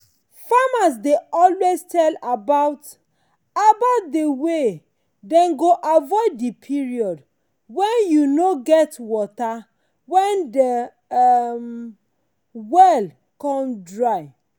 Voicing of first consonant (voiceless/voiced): voiceless